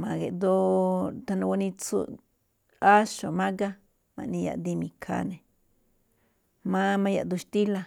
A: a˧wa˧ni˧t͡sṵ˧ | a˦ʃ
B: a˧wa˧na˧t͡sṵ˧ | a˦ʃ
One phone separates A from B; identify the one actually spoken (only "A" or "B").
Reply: A